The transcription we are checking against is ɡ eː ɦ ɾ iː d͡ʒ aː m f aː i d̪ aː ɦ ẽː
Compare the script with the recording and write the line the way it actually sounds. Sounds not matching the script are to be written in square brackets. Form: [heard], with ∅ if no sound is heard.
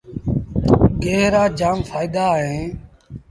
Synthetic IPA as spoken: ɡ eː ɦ ɾ [aː] d͡ʒ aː m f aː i d̪ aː ɦ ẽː